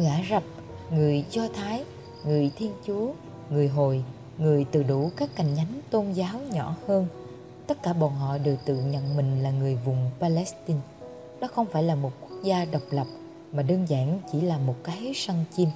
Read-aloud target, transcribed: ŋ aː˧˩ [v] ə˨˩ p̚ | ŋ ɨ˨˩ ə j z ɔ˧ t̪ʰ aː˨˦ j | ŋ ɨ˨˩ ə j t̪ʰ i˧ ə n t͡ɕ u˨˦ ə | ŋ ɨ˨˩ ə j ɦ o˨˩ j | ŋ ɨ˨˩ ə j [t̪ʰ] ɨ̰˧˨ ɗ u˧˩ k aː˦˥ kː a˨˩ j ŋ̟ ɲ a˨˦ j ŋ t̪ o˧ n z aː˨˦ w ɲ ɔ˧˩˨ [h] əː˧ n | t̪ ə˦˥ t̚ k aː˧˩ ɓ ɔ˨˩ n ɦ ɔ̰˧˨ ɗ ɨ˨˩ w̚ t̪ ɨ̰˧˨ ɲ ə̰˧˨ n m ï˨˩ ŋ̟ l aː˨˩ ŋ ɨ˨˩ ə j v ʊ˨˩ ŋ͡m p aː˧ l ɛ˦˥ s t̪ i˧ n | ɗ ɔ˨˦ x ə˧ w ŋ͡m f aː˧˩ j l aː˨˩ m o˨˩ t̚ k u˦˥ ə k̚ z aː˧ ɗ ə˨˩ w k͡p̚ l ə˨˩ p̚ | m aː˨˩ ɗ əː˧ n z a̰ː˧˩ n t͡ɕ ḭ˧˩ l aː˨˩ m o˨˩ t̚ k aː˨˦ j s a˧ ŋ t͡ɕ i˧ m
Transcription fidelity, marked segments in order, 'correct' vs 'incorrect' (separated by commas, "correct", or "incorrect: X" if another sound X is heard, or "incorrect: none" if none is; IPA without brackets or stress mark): incorrect: z, incorrect: t̪, correct